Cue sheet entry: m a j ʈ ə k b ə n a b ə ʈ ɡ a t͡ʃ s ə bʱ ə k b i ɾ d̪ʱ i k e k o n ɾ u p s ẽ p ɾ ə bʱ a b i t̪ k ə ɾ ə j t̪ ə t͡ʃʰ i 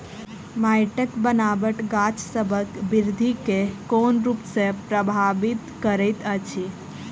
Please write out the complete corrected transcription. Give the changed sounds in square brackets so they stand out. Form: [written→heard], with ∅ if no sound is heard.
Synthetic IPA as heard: m a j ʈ ə k b ə n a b ə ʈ ɡ a t͡ʃ s ə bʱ ə k b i ɾ d̪ʱ i k e k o n ɾ u p s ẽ p ɾ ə bʱ a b i t̪ k ə ɾ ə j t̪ ə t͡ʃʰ i